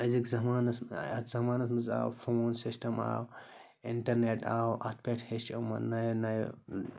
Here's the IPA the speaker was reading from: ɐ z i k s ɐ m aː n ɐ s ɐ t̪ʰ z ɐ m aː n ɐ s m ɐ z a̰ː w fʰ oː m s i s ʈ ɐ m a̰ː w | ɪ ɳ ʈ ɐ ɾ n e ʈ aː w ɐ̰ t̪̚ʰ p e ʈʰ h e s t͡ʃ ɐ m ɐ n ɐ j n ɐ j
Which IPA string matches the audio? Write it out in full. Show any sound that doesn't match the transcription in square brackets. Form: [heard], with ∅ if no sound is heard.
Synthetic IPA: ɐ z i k [z] ɐ m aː n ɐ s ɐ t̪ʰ z ɐ m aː n ɐ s m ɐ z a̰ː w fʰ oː [n] s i s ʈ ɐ m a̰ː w | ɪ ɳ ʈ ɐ ɾ n e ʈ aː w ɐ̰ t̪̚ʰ p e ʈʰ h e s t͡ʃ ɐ m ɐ n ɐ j n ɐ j